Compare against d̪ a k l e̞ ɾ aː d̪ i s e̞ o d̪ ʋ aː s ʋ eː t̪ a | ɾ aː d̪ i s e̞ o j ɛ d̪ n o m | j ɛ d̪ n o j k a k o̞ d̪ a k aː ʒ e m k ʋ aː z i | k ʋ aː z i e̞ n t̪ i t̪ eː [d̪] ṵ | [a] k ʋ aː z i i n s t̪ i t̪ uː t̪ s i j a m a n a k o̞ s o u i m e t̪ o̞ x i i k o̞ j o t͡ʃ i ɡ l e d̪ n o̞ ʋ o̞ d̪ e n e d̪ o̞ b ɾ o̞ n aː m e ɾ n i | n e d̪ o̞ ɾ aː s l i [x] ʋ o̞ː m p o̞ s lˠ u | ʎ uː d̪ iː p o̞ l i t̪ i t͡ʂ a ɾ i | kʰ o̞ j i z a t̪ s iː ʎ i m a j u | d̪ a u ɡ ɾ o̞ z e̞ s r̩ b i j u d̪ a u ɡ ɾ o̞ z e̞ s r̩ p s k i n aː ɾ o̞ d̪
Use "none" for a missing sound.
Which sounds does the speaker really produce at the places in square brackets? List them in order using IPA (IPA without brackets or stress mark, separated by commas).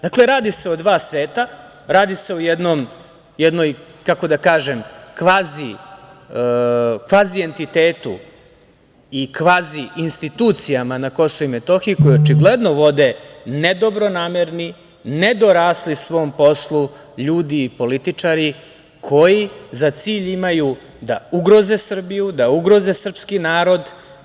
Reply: t̪, i, s